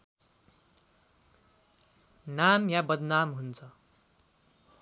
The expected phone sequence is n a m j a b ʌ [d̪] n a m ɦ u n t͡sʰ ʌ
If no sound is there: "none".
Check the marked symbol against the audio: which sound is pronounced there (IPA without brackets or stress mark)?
d̪